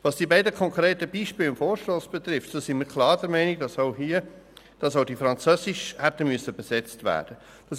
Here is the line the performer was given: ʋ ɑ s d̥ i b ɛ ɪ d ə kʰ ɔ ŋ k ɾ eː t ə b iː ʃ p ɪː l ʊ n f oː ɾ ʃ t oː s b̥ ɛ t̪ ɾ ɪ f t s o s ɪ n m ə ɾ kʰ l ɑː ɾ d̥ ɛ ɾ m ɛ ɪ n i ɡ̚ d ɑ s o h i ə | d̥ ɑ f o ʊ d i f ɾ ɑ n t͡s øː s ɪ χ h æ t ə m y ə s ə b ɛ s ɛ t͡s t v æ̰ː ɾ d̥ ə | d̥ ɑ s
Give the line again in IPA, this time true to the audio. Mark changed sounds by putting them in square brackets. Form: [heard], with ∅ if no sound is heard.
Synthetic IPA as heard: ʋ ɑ s d̥ i b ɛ ɪ d ə kʰ ɔ ŋ k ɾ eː t ə b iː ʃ p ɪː l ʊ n f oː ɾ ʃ t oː s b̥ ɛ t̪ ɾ ɪ f t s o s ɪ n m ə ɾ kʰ l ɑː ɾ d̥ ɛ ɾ m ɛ ɪ n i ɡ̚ d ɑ s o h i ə | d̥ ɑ [s] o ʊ d i f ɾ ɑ n t͡s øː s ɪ [ʃ] h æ t ə m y ə s ə b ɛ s ɛ t͡s t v æ̰ː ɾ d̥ ə | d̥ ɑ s